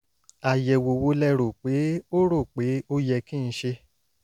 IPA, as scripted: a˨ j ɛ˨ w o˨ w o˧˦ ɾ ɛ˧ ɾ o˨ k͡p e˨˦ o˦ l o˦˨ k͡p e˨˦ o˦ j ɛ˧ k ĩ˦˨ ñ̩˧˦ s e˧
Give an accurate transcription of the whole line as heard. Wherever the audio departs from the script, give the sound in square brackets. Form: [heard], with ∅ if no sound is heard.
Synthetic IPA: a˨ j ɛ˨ w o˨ w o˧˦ [l] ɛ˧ ɾ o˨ k͡p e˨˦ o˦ [ɾ] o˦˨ k͡p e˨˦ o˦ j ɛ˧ k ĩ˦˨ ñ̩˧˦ [ʃ] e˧